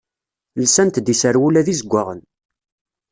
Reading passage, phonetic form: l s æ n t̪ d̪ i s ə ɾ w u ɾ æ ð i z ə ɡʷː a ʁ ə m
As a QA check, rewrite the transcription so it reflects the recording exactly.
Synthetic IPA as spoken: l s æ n t̪ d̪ i s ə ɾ w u l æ ð i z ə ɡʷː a ʁ ə n